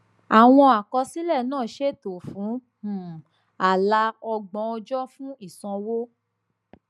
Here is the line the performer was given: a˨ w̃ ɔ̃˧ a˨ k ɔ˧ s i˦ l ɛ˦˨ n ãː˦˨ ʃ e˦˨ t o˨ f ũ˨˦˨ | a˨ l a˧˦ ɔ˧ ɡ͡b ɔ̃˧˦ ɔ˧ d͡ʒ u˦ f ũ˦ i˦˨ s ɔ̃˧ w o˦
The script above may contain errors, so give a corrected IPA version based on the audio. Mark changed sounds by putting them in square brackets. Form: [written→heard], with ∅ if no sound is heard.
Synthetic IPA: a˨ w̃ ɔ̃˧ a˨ k ɔ˧ s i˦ l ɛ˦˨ n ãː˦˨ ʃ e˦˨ t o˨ f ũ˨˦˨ | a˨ l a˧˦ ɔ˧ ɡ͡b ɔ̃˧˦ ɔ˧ d͡ʒ [u˦→ɔ˦] f ũ˦ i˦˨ s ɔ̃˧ w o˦

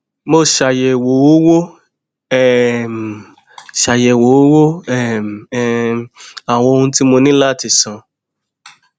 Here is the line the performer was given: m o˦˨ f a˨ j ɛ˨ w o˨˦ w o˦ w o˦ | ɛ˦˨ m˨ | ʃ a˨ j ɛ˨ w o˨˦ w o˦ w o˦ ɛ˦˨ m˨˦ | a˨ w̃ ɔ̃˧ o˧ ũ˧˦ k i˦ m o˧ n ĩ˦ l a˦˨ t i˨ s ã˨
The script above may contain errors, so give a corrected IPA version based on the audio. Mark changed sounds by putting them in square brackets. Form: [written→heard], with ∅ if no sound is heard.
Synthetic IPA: m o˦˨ [f→ʃ] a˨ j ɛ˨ w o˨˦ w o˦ w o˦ | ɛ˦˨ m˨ | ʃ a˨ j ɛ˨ w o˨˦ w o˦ w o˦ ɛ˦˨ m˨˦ | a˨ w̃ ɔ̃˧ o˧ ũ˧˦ [k→t] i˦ m o˧ n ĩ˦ l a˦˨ t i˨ s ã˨

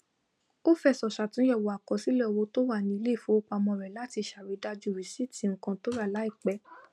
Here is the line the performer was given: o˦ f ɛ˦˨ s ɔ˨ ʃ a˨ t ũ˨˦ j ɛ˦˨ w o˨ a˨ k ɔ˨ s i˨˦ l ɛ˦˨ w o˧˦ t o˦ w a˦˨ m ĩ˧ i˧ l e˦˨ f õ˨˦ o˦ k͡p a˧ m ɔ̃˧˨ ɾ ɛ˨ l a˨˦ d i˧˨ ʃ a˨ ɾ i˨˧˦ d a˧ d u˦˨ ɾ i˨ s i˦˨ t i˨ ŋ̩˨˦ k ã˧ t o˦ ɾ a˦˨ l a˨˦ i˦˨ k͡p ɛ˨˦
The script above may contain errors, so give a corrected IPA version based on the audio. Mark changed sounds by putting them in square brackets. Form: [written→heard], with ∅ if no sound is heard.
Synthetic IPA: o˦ f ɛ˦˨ s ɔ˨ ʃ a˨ t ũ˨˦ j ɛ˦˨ w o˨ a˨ k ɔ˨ s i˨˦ l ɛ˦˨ w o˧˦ t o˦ w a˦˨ [m→n] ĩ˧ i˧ l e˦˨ f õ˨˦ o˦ k͡p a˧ m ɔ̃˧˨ ɾ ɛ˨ l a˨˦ [d→t] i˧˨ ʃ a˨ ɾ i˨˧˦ d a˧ [d→d͡ʒ] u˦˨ ɾ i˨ s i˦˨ t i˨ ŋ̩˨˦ k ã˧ t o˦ ɾ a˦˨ l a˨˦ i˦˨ k͡p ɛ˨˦

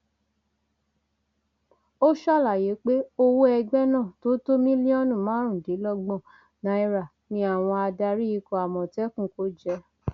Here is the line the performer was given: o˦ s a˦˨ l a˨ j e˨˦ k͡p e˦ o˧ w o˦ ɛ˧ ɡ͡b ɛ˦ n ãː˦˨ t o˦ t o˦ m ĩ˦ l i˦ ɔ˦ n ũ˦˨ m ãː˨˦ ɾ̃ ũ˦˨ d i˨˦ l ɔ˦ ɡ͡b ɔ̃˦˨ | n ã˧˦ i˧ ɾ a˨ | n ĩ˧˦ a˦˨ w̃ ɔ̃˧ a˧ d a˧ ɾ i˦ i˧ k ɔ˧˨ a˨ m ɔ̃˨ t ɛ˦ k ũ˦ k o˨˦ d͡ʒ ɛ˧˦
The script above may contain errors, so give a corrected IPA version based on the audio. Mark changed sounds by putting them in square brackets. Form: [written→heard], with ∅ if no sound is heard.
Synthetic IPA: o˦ [s→ʃ] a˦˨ l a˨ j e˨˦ k͡p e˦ o˧ w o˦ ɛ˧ ɡ͡b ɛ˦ n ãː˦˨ t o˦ t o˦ m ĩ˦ l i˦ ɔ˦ n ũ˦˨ m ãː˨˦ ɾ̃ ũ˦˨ d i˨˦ l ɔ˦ ɡ͡b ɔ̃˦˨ | n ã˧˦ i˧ ɾ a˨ | n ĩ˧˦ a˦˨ w̃ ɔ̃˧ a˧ d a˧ ɾ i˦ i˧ k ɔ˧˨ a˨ m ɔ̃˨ t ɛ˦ k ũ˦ k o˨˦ d͡ʒ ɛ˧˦

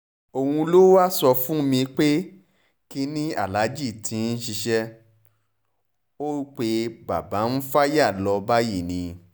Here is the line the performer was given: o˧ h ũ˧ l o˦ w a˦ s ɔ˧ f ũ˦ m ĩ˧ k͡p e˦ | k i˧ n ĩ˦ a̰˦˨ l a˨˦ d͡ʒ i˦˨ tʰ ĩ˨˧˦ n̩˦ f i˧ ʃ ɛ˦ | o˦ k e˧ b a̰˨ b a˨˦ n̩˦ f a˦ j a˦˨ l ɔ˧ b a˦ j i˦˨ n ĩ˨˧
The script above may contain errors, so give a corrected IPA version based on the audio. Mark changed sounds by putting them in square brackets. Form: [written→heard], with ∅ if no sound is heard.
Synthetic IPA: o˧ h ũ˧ l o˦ w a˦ s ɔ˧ f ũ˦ m ĩ˧ k͡p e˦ | k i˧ n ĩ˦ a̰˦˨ l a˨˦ d͡ʒ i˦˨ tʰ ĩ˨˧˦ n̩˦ [f→ʃ] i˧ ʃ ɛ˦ | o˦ [k→k͡p] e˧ b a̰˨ b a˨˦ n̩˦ f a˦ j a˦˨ l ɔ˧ b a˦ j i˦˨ n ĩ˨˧

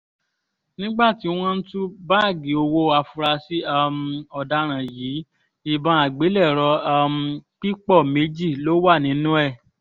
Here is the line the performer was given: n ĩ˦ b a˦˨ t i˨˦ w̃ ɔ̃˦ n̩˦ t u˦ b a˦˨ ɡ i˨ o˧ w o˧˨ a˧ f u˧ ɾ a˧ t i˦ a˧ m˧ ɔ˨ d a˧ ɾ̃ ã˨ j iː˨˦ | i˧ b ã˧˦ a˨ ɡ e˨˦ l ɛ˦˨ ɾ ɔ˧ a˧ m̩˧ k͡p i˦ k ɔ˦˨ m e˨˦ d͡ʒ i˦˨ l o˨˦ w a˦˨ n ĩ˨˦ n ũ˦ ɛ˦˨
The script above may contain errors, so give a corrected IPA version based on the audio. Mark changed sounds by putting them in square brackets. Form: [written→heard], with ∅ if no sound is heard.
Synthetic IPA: n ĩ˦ [b→ɡ͡b] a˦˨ t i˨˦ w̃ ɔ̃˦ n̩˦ t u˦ b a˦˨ ɡ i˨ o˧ w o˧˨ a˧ f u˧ ɾ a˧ [t→s] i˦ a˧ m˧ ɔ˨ d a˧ ɾ̃ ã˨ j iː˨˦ | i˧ b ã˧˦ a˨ [ɡ→ɡ͡b] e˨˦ l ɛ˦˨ ɾ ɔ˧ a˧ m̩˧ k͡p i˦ [k→k͡p] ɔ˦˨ m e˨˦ d͡ʒ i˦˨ l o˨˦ w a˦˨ n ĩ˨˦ n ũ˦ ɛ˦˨

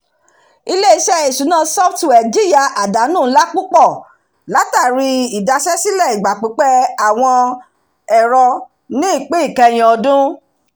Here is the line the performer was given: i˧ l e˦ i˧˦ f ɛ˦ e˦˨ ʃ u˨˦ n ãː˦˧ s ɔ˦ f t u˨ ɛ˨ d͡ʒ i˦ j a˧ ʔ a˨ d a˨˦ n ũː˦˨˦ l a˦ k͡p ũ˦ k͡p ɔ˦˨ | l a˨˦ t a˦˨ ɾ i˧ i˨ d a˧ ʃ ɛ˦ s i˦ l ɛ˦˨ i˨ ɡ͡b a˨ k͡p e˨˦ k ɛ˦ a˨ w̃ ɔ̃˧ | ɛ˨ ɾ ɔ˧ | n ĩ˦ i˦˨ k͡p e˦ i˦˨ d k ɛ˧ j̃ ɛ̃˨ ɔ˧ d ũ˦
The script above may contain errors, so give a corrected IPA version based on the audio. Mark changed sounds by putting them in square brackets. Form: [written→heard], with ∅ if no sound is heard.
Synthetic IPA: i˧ l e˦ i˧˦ [f→ʃ] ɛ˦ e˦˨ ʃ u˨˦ n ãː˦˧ s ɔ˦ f t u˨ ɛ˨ d͡ʒ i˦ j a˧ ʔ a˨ d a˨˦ n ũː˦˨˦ l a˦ k͡p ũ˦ k͡p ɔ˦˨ | l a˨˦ t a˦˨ ɾ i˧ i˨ d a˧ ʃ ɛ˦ s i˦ l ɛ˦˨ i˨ ɡ͡b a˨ k͡p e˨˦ [k→k͡p] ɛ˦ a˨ w̃ ɔ̃˧ | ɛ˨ ɾ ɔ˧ | n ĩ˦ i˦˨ k͡p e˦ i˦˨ [d→∅] k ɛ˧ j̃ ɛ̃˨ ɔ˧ d ũ˦

